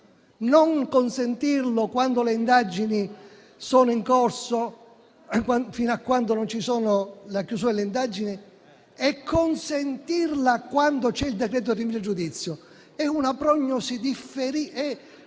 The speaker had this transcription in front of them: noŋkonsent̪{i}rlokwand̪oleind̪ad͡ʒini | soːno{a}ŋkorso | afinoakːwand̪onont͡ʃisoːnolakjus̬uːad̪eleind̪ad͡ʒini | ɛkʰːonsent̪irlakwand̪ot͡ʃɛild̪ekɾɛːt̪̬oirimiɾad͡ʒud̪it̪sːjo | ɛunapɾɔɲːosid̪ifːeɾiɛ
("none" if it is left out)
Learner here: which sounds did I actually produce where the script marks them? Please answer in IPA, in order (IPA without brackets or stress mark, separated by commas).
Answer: i, i